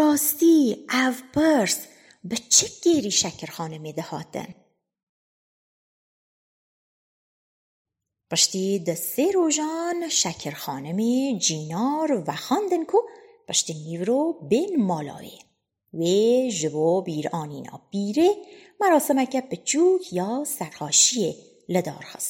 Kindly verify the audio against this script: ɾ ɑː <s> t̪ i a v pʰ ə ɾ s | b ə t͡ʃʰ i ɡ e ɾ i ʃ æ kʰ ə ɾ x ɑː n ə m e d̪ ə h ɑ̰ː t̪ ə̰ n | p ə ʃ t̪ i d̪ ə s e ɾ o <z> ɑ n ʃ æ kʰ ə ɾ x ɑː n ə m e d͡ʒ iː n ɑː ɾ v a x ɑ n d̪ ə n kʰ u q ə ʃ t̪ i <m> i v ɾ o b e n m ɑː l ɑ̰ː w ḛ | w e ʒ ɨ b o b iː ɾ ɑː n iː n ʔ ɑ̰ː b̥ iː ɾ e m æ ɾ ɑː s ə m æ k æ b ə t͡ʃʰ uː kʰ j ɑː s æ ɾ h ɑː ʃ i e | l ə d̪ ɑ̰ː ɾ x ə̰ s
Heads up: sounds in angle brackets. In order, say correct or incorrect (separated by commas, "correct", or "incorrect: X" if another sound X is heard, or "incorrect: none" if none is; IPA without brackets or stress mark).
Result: correct, incorrect: ʒ, incorrect: n